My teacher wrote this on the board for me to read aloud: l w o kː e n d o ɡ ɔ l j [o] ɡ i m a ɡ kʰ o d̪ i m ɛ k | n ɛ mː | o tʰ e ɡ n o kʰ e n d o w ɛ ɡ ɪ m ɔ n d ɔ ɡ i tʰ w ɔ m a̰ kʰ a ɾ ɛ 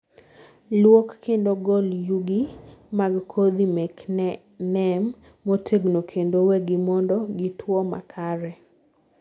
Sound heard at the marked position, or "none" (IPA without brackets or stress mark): u